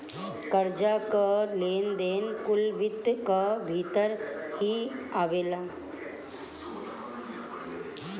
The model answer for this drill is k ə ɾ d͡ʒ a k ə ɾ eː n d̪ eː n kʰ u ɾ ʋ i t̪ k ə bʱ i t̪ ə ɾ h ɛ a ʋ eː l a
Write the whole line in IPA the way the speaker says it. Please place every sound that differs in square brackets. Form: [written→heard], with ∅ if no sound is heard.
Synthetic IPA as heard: k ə ɾ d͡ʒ a k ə [ɾ→l] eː n d̪ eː n [kʰ→k] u [ɾ→l] ʋ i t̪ k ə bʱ i t̪ ə ɾ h [ɛ→i] a ʋ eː l a